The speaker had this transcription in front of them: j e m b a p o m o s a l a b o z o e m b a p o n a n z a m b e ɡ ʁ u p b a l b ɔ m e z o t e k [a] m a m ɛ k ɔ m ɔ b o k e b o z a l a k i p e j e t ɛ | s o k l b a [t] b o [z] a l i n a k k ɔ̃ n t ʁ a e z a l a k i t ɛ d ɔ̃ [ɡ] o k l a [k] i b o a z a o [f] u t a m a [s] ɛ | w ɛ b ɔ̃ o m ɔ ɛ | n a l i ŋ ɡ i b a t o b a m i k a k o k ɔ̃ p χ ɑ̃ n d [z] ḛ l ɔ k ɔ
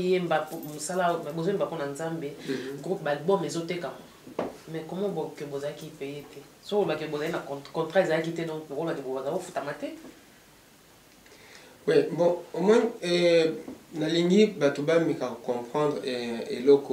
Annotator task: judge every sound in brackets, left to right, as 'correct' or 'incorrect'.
correct, incorrect, correct, incorrect, correct, correct, incorrect, incorrect

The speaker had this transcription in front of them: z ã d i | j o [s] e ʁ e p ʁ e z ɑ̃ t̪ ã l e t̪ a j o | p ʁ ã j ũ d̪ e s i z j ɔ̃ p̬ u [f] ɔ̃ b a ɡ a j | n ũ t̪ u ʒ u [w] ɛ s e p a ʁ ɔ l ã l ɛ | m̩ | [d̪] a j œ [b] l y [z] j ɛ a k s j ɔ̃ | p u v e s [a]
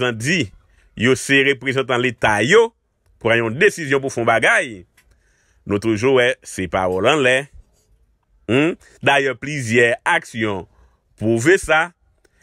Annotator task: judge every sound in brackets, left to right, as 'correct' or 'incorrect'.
correct, correct, correct, correct, incorrect, correct, correct

